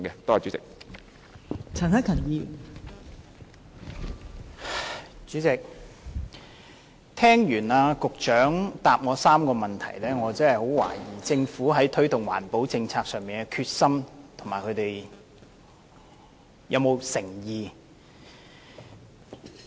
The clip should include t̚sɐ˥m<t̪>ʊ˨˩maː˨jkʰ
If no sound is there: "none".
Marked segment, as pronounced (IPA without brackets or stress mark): t̪ʰ